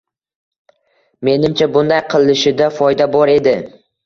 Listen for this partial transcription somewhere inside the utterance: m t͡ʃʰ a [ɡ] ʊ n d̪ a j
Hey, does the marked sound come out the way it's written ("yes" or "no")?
no